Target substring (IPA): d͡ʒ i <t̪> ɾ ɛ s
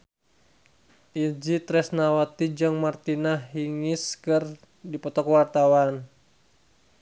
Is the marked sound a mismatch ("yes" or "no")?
no